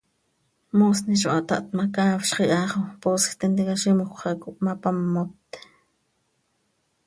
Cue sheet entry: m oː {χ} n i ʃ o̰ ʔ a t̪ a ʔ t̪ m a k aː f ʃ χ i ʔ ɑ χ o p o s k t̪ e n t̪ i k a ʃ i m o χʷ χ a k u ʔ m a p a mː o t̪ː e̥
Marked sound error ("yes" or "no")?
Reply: yes